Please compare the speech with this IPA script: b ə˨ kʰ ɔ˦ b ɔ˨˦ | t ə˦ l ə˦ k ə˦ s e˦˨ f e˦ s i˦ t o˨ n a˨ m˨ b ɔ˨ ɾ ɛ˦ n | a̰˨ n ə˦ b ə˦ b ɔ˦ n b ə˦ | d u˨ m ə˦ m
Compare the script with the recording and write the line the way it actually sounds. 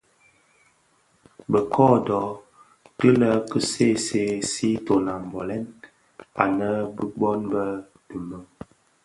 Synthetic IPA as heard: b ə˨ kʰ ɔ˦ d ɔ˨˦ | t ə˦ l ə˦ k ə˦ s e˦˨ s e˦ s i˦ t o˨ n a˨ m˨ b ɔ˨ l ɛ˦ n | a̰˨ n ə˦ b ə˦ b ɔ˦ n b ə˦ | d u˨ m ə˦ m